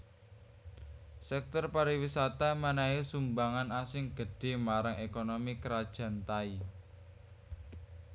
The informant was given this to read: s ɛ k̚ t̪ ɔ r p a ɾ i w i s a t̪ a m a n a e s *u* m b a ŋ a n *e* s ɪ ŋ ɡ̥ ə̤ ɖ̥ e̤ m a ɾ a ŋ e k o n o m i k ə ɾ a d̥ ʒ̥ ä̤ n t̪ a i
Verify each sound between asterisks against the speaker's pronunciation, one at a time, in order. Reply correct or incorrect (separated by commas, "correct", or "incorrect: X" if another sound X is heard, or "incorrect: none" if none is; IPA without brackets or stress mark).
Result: correct, incorrect: a